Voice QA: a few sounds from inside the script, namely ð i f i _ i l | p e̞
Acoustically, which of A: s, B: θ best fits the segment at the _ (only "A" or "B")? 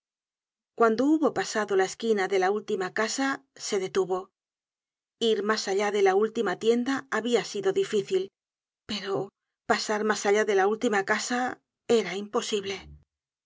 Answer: B